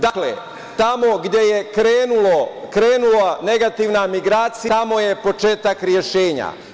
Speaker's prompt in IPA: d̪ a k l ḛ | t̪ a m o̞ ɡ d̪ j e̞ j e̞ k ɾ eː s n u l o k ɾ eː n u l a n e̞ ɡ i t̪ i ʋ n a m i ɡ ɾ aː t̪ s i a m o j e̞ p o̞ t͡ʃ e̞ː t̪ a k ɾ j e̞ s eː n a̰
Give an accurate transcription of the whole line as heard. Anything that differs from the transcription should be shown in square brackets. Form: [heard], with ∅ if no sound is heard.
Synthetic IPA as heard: d̪ a k l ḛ | t̪ a m o̞ ɡ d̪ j e̞ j e̞ k ɾ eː [∅] n u l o k ɾ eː n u l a n e̞ ɡ [a] t̪ i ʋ n a m i ɡ ɾ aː t̪ s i a m o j e̞ p o̞ t͡ʃ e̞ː t̪ a k ɾ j e̞ [ʃ] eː [ɲ] a̰